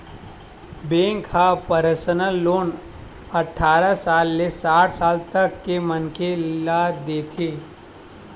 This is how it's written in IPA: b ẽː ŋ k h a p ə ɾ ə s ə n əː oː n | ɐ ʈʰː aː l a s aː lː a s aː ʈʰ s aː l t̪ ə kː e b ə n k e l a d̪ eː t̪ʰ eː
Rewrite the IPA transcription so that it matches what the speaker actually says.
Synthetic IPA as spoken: b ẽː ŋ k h a p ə ɾ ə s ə n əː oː n | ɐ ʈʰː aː ɾ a s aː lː e s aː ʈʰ s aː l t̪ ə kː e m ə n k e l a d̪ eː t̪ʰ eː